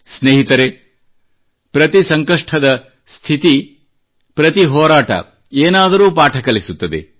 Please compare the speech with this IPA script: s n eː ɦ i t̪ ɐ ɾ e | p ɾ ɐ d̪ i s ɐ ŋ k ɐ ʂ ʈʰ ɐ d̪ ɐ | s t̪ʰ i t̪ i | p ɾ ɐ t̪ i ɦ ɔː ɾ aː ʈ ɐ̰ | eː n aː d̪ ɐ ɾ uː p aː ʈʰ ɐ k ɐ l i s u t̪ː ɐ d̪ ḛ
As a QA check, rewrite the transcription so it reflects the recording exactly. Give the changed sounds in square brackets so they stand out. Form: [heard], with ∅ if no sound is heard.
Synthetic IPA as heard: s n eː ɦ i t̪ ɐ ɾ e | p ɾ ɐ [t̪] i s ɐ ŋ k ɐ ʂ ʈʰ ɐ d̪ ɐ | s t̪ʰ i t̪ i | p ɾ ɐ t̪ i ɦ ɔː ɾ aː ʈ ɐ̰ | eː n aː d̪ ɐ ɾ uː p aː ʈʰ ɐ k ɐ l i s u t̪ː ɐ d̪ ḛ